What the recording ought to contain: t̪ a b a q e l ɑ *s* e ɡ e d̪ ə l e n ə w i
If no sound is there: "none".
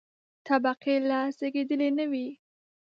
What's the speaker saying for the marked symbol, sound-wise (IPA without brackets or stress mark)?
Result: s